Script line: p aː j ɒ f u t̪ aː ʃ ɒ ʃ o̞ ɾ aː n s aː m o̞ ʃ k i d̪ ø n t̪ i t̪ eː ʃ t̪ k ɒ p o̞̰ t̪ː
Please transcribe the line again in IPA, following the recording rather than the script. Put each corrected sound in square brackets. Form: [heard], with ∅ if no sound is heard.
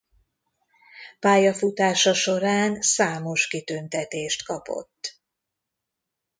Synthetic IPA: p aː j ɒ f u t̪ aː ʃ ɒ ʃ o̞ ɾ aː n s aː m o̞ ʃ k i [t̪] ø n t̪ [ɛ] t̪ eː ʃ t̪ k ɒ p o̞̰ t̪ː